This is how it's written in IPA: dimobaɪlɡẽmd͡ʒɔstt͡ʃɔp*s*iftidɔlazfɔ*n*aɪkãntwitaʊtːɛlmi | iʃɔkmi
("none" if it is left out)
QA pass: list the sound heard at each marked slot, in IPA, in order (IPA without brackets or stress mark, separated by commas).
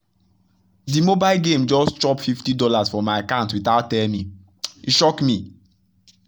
f, m